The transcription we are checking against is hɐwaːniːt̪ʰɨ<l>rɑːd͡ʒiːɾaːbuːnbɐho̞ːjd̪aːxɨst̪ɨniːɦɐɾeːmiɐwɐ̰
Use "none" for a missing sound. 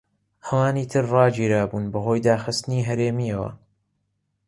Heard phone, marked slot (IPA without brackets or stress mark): ɾ